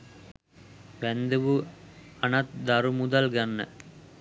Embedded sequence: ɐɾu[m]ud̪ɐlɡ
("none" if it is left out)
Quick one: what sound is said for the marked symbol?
m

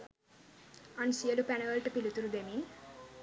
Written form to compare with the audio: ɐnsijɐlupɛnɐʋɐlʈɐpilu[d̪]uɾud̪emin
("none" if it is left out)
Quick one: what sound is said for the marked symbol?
t̪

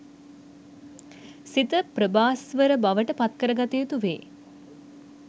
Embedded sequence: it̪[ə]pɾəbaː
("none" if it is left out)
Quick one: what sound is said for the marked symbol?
ə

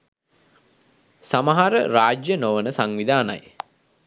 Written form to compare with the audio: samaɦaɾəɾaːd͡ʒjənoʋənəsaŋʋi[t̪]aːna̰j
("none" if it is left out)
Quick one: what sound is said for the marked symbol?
d̪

